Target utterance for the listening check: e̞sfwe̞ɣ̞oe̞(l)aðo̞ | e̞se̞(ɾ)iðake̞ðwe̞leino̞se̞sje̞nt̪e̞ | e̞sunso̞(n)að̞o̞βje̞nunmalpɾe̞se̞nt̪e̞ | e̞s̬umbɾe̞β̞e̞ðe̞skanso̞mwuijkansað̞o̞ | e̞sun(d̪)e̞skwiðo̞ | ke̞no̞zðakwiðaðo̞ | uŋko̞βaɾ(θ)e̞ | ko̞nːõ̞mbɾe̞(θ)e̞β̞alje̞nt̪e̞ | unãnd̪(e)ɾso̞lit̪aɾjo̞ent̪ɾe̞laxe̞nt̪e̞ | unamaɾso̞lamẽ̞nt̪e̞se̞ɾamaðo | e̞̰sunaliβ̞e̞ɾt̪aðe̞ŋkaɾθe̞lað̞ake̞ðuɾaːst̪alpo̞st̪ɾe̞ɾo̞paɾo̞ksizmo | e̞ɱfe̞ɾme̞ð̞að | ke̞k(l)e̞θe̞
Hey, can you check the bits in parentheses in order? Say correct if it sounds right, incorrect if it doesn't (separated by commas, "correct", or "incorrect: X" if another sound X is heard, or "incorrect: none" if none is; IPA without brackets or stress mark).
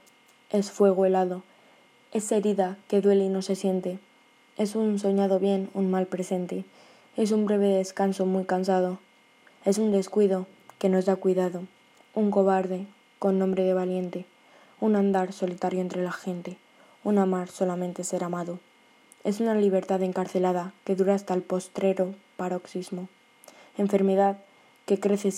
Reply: correct, correct, incorrect: ɲ, correct, incorrect: ð, incorrect: ð, incorrect: a, incorrect: ɾ